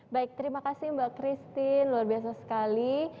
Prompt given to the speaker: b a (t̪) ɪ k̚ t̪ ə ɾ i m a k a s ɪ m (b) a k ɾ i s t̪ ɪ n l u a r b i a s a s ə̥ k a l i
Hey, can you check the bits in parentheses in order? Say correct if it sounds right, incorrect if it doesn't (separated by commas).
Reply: incorrect, correct